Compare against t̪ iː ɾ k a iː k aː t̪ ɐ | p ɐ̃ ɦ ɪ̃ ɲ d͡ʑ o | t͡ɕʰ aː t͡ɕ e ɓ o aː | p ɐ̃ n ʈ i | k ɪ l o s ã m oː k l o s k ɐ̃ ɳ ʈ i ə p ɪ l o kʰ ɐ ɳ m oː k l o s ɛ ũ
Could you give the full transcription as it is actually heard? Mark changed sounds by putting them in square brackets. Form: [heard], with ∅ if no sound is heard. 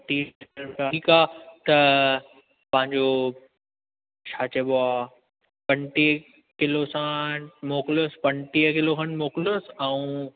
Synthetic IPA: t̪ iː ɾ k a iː k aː t̪ ɐ | p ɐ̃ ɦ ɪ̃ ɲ d͡ʑ o | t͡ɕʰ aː t͡ɕ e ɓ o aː | p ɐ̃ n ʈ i | k ɪ l o s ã m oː k l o s [p] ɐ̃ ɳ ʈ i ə [k] ɪ l o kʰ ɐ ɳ m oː k l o s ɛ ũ

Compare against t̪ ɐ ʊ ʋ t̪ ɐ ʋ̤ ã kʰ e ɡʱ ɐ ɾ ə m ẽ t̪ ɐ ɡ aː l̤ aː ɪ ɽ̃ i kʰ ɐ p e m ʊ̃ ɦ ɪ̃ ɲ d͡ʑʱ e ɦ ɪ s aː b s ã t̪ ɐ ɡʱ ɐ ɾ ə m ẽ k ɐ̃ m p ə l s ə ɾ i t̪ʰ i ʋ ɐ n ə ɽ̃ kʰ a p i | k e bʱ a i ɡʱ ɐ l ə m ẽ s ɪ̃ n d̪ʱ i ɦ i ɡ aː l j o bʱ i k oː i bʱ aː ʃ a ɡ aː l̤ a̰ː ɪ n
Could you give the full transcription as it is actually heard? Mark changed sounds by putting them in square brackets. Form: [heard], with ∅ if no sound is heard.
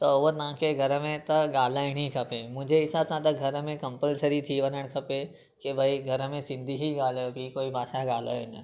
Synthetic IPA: t̪ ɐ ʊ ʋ t̪ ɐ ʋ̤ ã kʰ e ɡʱ ɐ ɾ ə m ẽ t̪ ɐ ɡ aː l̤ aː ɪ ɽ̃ i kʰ ɐ p e m ʊ̃ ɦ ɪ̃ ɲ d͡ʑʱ e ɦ ɪ s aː b s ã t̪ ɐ ɡʱ ɐ ɾ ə m ẽ k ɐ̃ m p ə l s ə ɾ i t̪ʰ i ʋ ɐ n ə ɽ̃ kʰ [ɐ] p [e] | k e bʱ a i ɡʱ ɐ [ɾ] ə m ẽ s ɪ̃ n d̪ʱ i ɦ i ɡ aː l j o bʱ i k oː i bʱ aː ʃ a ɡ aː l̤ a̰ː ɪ n

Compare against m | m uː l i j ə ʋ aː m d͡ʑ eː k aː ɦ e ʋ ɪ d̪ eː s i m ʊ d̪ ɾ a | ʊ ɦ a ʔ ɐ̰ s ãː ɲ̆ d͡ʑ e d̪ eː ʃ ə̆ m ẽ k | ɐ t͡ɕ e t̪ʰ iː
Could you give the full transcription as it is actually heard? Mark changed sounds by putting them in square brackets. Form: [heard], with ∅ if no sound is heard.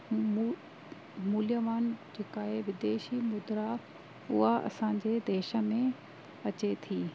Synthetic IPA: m | m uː l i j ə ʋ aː [n] d͡ʑ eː k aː ɦ e ʋ ɪ d̪ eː [ʃ] i m ʊ d̪ ɾ a | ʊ ɦ a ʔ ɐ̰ s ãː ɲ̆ d͡ʑ e d̪ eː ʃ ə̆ m ẽ [∅] | ɐ t͡ɕ e t̪ʰ iː

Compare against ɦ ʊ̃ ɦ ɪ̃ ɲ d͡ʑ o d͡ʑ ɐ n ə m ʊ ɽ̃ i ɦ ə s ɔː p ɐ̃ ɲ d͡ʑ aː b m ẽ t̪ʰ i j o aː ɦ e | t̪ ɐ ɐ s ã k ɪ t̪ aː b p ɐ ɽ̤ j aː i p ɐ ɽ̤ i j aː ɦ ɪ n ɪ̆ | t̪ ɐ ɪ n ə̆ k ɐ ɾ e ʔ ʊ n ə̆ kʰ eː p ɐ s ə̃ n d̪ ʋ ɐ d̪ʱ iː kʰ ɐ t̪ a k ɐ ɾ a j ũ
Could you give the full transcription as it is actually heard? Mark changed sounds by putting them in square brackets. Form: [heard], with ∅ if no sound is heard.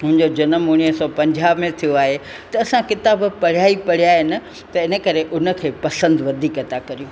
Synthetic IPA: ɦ ʊ̃ ɦ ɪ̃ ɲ d͡ʑ o d͡ʑ ɐ n ə m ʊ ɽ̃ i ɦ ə s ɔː p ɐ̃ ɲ d͡ʑ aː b m ẽ t̪ʰ i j o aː ɦ e | t̪ ɐ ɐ s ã k ɪ t̪ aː b p ɐ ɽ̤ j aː i p ɐ ɽ̤ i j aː ɦ ɪ n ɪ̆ | t̪ ɐ ɪ n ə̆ k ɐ ɾ e ʔ ʊ n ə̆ kʰ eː p ɐ s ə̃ n d̪ ʋ ɐ d̪ʱ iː [k] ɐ t̪ a k ɐ ɾ [i] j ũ

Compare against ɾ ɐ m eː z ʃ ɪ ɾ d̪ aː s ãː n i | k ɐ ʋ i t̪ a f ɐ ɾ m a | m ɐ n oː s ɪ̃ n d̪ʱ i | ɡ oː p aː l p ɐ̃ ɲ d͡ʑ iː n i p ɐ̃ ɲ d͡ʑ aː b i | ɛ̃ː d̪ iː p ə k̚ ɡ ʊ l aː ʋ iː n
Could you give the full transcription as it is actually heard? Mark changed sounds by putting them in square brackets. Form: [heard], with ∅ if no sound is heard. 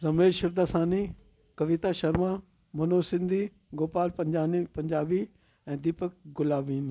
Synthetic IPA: ɾ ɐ m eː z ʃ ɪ ɾ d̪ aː s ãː n i | k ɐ ʋ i t̪ a [ʃ] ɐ ɾ m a | m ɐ n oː s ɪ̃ n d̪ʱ i | ɡ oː p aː l p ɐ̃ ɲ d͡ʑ [aː] n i p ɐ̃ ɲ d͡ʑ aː b i | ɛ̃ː d̪ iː p ə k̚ ɡ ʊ l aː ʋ iː n

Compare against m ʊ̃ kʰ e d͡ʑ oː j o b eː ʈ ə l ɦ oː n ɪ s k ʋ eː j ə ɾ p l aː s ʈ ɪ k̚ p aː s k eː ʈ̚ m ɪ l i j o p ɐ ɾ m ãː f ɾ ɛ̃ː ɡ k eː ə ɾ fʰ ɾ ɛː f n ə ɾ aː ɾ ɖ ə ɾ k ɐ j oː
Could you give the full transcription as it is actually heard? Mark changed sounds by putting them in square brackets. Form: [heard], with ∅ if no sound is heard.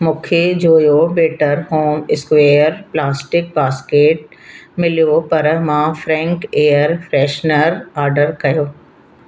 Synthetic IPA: m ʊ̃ kʰ e d͡ʑ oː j o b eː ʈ ə [ɾ] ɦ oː [m] ɪ s k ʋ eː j ə ɾ p l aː s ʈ ɪ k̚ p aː s k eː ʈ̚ m ɪ l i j o p ɐ ɾ m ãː f ɾ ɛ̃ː [ŋ] k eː ə ɾ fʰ ɾ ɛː [ʃ] n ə ɾ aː ɾ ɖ ə ɾ k ɐ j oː

